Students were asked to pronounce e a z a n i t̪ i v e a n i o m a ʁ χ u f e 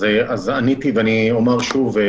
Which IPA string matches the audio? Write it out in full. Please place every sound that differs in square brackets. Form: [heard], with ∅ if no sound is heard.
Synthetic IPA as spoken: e a z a n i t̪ i v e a n i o m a ʁ [ʃ] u [v] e